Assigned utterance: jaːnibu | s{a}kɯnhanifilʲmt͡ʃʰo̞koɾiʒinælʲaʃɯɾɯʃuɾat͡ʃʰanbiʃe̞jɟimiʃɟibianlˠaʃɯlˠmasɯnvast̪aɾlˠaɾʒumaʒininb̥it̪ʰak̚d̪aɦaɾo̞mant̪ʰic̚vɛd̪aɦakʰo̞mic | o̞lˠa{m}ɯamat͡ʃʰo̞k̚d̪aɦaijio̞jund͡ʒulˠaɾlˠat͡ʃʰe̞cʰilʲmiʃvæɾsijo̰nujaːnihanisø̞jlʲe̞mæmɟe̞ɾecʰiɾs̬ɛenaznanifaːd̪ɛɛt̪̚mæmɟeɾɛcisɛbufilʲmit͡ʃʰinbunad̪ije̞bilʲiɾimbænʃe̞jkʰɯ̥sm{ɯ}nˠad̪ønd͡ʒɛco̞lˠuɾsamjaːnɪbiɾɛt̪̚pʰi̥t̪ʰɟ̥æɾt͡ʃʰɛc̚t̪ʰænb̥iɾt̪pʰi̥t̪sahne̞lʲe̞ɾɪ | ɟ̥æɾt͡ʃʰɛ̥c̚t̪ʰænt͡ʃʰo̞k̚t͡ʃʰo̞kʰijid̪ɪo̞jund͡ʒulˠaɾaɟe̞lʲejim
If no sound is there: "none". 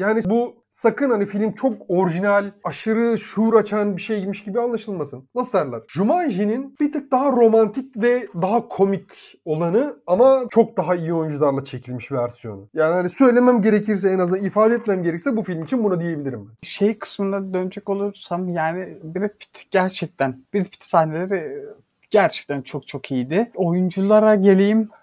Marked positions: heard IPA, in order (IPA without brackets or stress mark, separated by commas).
a, n, ɯ